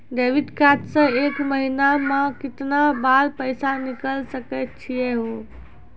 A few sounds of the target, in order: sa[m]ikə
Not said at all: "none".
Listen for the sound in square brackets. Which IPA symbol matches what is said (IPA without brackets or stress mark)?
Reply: n